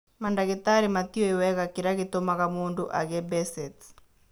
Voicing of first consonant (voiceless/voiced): voiced